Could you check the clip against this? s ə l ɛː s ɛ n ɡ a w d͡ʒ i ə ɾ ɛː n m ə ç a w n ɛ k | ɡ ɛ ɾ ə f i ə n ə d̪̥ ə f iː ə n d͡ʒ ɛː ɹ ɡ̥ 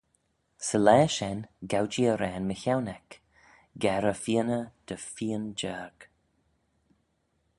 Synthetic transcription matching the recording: s ə l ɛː ʃ ɛ n ɡ a w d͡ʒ i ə ɾ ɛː n m ə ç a w n ɛ k | ɡ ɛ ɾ ə f i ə n ə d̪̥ ə f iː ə n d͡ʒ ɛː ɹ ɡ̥